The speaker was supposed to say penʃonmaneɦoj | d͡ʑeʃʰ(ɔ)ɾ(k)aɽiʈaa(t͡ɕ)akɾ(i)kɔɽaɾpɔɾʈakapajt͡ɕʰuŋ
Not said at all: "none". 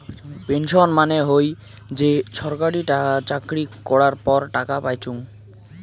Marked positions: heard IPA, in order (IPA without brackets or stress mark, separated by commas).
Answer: ɔ, k, t͡ɕ, i